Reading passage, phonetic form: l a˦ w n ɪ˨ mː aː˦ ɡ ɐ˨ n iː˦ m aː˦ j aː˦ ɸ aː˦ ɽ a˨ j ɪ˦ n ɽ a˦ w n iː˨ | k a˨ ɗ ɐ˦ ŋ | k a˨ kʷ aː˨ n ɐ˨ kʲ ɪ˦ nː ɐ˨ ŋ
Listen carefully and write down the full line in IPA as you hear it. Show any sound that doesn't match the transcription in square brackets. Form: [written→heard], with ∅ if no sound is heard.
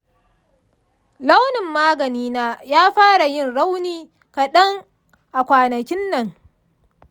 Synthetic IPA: l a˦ w n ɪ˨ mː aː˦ ɡ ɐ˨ n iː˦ [m→n] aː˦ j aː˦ ɸ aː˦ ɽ a˨ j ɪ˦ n ɽ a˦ w n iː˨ | k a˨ ɗ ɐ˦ ŋ | [k→ʔ] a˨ kʷ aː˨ n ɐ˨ kʲ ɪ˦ nː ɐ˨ ŋ